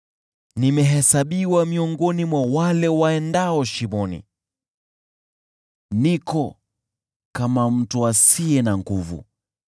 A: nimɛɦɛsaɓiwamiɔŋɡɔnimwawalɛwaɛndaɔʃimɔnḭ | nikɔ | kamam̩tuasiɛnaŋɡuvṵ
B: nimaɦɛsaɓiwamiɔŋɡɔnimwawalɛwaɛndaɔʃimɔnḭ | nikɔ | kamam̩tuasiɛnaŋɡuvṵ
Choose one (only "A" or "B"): A